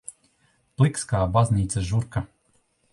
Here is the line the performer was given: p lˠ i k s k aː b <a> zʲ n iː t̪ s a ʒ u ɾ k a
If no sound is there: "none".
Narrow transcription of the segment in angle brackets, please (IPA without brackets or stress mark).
a